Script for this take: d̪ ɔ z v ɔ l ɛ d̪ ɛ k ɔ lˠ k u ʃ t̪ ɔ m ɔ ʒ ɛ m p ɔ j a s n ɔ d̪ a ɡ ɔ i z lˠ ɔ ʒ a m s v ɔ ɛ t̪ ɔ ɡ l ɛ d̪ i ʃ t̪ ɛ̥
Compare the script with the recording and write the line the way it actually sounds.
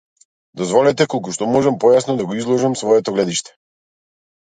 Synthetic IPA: d̪ ɔ z v ɔ l ɛ t̪ ɛ k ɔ lˠ k u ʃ t̪ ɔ m ɔ ʒ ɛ m p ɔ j a s n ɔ d̪ a ɡ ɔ i z lˠ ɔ ʒ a m s v ɔ ɛ t̪ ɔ ɡ l ɛ d̪ i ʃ t̪ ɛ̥